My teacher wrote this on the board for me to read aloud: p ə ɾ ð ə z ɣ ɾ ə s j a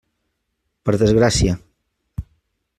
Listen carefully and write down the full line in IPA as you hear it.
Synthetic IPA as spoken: p ə ɾ ð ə z ɣ ɾ a s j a